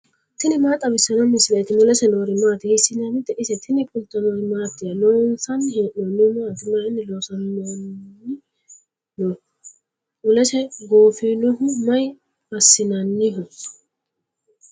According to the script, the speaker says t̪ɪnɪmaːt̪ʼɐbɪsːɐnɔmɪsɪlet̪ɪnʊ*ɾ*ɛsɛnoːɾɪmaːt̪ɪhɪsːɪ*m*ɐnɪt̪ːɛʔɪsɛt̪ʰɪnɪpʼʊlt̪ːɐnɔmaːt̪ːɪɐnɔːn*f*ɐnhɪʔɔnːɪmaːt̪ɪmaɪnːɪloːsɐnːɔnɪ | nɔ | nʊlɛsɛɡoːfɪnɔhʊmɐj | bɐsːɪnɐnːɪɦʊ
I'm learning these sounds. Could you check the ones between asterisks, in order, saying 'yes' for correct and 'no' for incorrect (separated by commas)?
no, no, no